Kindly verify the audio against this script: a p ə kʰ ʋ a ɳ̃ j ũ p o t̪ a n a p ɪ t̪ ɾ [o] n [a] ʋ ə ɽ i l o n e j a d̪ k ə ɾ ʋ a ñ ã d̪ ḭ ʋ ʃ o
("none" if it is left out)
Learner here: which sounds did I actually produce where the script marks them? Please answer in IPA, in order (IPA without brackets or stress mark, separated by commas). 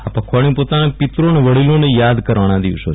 o, e